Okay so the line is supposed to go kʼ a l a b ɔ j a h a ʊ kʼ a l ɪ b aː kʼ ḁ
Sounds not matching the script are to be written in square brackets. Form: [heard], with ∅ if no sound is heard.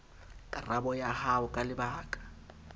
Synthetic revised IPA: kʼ a [r] a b ɔ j a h a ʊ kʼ a l ɪ b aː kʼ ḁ